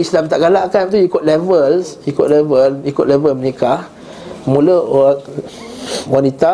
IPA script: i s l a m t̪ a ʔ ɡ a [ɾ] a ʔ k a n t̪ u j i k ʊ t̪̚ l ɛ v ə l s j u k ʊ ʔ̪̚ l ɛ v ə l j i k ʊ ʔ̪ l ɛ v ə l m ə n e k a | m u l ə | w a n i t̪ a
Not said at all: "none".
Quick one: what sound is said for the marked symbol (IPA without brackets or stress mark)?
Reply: l